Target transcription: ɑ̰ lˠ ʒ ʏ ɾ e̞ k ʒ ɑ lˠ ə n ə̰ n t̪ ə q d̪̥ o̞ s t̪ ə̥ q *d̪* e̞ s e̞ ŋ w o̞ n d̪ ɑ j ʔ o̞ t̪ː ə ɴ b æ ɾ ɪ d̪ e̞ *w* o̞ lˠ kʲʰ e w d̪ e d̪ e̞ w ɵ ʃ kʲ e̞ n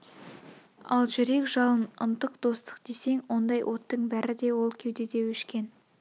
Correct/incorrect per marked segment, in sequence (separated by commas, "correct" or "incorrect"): correct, correct